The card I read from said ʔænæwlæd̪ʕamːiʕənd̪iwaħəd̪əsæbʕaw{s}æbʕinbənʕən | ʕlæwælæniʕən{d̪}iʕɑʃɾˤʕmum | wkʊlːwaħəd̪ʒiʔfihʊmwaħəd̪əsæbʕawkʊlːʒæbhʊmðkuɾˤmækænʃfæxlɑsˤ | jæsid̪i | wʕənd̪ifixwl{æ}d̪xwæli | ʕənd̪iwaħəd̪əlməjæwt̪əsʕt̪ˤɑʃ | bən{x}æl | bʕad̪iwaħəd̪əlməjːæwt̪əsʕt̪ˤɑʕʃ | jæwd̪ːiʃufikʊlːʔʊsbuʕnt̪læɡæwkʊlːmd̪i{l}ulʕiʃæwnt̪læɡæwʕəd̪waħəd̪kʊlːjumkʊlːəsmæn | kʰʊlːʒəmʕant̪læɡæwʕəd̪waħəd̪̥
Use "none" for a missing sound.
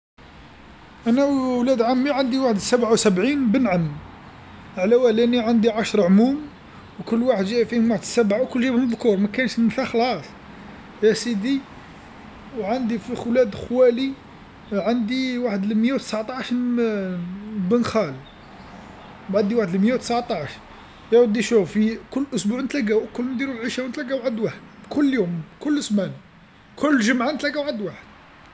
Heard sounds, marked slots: s, d̪, æ, x, ɾ

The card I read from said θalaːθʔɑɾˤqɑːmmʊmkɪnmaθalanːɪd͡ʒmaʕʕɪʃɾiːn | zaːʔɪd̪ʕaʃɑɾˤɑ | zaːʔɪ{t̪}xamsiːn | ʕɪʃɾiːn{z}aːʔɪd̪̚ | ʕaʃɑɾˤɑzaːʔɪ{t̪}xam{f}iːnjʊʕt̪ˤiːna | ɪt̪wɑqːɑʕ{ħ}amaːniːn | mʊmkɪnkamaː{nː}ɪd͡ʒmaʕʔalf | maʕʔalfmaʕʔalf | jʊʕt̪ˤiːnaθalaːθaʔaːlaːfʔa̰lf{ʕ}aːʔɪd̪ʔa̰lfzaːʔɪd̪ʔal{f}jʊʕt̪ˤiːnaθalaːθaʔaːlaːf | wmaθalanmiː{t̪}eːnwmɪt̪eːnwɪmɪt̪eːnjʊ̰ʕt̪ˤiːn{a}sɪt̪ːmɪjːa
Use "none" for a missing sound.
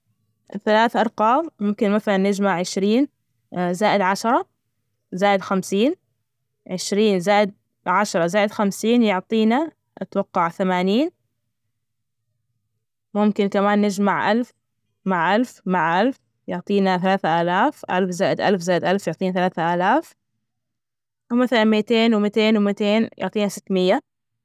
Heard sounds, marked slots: d̪, z, d̪, s, θ, nː, z, f, t̪, a

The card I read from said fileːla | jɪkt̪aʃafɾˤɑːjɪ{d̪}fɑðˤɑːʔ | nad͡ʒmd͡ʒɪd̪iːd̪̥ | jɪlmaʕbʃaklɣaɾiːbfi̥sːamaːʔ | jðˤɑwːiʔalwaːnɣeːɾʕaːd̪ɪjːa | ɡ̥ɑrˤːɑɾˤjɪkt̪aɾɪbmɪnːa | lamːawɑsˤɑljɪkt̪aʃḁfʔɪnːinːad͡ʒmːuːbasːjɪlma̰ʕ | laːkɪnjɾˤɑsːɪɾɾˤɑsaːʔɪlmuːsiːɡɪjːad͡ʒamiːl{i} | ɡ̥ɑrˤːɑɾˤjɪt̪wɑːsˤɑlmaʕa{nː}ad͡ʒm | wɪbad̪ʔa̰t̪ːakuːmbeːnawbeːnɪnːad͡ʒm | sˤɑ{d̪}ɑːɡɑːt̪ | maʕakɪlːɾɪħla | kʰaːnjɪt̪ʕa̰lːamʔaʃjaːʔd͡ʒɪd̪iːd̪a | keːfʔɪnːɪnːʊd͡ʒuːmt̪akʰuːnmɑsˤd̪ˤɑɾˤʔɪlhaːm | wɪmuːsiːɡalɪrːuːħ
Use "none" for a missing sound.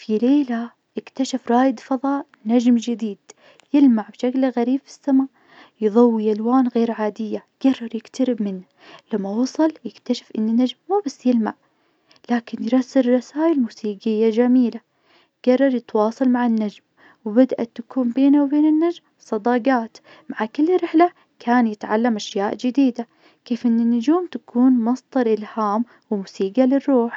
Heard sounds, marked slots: d̪, a, nː, d̪

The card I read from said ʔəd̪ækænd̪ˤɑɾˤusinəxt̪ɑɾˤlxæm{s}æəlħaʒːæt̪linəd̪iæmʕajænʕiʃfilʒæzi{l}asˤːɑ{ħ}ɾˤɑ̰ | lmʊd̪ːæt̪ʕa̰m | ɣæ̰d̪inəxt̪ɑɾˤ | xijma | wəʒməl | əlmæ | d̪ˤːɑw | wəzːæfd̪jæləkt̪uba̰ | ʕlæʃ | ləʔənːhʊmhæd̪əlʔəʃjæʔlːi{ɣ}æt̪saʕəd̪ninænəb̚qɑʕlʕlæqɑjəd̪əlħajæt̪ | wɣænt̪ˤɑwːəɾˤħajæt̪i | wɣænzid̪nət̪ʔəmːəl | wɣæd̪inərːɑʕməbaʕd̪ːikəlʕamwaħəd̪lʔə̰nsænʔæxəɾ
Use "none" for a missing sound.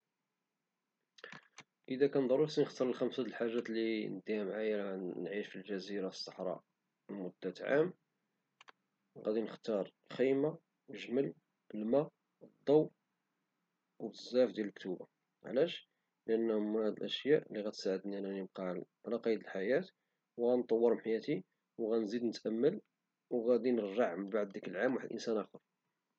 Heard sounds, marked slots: s, ɾ, ħ, ɣ

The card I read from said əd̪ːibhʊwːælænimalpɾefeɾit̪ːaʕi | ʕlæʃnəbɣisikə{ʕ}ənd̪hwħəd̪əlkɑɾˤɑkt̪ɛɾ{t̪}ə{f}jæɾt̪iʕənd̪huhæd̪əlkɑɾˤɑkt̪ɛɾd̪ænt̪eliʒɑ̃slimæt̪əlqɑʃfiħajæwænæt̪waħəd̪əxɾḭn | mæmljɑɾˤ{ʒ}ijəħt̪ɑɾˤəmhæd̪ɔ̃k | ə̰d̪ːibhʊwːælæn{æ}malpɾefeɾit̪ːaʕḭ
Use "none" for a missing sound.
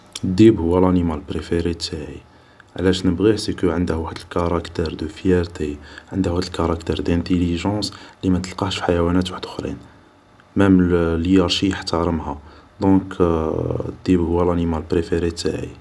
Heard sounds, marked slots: ʕ, d̪, f, ʃ, i

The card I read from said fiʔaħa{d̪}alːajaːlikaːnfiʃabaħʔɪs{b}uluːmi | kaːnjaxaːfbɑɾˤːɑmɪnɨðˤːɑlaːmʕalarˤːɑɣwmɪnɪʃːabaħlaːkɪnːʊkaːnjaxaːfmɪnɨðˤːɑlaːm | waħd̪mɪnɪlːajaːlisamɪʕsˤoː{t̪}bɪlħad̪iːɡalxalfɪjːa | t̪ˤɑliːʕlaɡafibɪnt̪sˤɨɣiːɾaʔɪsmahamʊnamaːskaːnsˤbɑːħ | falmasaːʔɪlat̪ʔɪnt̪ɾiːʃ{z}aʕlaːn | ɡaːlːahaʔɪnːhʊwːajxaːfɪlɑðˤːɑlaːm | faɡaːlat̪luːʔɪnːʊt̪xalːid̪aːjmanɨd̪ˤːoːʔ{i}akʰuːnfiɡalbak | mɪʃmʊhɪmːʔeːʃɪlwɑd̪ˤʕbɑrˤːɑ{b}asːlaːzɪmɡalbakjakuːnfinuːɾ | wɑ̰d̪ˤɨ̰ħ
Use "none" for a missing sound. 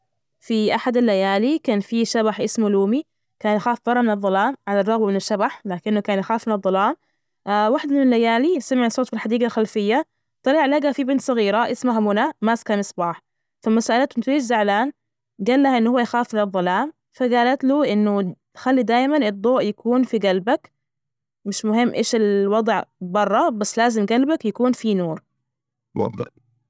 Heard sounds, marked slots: d̪, m, t̪, z, j, b

